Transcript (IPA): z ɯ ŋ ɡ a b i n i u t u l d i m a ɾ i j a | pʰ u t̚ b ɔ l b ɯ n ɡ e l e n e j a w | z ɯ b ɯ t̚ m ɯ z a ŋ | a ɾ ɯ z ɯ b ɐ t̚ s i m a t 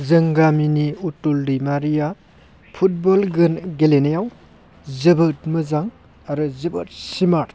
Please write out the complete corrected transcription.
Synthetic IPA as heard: z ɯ ŋ ɡ a m i n i u t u l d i m a ɾ i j a | pʰ u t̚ b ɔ l ɡ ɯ n ɡ e l e n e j a w | z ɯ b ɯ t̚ m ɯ z a ŋ | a ɾ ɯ z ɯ b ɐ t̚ s i m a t

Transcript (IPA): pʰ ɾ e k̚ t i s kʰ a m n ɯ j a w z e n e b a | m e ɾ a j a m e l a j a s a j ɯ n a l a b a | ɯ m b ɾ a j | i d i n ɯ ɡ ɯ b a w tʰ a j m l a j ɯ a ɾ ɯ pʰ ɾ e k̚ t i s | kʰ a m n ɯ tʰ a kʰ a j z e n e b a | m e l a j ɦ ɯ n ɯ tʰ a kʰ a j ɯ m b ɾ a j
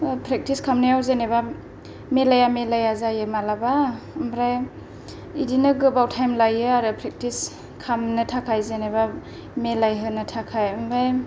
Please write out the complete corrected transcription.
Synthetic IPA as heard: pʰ ɾ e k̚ t i s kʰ a m n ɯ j a w z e n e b a | m e l a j a m e l a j a z a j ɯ m a l a b a | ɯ m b ɾ a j | i d i n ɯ ɡ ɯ b a w tʰ a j m l a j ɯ a ɾ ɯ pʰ ɾ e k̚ t i s | kʰ a m n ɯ tʰ a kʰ a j z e n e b a | m e l a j ɦ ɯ n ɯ tʰ a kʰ a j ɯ m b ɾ a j

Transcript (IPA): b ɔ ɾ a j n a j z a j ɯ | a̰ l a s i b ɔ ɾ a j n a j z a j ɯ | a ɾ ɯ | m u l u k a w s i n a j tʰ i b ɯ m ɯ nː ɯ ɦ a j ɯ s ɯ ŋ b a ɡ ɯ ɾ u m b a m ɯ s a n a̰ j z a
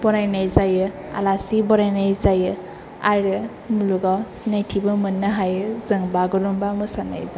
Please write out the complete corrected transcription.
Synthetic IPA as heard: b ɔ ɾ a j n a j z a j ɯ | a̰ l a s i b ɔ ɾ a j n a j z a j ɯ | a ɾ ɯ | m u l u ɡ a w s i n a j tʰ i b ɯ m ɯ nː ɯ ɦ a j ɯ z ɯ ŋ b a ɡ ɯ ɾ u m b a m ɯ s a n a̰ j z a

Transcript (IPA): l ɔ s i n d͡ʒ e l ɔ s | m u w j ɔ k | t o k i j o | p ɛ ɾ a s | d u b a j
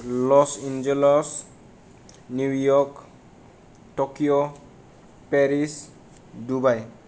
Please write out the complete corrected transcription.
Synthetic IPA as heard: l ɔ s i n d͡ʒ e l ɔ s | n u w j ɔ k | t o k i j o | p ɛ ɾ i s | d u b a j

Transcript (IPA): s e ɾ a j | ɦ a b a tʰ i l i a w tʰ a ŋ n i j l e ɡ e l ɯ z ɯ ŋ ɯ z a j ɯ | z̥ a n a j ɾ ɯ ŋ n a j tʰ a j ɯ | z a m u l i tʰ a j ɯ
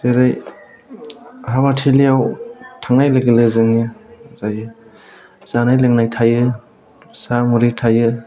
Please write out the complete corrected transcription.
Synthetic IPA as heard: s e ɾ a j | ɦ a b a tʰ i l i a w tʰ a ŋ n a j l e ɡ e l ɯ z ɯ ŋ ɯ z a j ɯ | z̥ a n a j l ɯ ŋ n a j tʰ a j ɯ | s a m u ɾ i tʰ a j ɯ

